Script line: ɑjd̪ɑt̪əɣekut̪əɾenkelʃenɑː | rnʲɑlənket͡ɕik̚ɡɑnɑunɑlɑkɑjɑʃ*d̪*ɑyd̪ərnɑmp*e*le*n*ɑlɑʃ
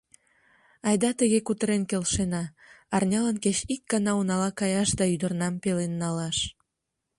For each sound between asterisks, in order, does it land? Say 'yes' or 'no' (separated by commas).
yes, yes, no